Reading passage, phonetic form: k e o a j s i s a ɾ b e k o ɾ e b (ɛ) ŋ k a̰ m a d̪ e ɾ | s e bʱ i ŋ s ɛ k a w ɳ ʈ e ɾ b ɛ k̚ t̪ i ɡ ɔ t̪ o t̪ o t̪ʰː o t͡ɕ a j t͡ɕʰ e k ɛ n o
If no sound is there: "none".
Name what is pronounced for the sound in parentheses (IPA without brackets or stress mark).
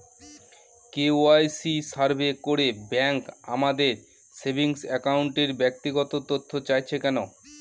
ɛ